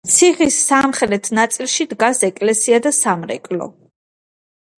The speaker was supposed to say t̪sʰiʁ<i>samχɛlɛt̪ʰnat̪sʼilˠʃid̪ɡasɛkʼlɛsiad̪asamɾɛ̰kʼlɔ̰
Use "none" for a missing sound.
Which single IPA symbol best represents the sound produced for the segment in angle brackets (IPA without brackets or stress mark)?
i